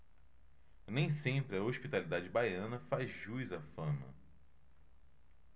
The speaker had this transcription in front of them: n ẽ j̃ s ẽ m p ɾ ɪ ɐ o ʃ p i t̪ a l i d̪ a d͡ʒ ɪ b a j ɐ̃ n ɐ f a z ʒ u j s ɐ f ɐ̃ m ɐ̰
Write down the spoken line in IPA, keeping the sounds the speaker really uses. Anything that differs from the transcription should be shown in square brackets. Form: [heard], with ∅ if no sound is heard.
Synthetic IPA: n ẽ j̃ s ẽ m p ɾ ɪ ɐ o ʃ p i t̪ a l i d̪ a d͡ʒ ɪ b a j ɐ̃ n ɐ f a z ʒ u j [z] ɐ f ɐ̃ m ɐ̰